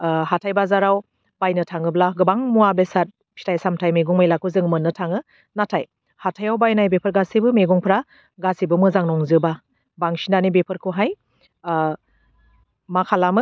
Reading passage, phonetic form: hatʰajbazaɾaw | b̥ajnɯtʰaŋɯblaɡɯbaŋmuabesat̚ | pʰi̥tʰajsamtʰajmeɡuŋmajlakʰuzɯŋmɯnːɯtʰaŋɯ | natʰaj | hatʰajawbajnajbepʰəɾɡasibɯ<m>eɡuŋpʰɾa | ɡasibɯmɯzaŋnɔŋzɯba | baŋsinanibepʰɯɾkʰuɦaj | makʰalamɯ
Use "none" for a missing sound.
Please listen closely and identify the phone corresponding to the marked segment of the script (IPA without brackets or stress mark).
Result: m